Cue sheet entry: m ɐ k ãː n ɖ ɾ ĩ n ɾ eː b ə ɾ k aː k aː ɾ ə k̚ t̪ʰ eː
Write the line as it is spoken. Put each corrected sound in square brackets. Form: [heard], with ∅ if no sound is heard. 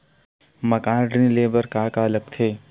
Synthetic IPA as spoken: m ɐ k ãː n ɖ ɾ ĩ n [l] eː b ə ɾ k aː k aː [l] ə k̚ t̪ʰ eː